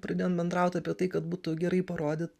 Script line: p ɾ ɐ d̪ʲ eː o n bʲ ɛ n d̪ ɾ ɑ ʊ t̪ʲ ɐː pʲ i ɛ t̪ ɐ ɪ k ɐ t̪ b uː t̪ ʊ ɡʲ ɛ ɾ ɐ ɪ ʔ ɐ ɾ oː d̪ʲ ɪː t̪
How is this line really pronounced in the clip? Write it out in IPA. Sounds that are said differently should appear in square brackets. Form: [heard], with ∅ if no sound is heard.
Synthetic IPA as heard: p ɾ ɐ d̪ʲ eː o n bʲ ɛ n d̪ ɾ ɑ ʊ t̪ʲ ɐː pʲ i ɛ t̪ ɐ ɪ k ɐ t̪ b uː t̪ ʊ ɡʲ ɛ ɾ ɐ ɪ [p] ɐ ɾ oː d̪ʲ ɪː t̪